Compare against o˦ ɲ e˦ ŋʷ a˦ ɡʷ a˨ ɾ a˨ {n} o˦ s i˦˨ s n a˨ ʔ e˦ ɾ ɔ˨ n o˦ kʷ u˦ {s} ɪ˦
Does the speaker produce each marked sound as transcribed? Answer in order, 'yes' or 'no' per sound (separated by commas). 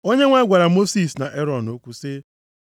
no, yes